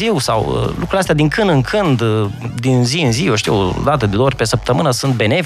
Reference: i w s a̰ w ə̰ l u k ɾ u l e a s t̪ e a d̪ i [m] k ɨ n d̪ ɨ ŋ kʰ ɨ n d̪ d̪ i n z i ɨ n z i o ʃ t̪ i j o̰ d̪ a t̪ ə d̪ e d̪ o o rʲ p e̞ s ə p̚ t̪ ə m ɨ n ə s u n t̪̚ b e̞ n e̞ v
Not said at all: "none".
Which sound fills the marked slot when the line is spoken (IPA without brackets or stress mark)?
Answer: ŋ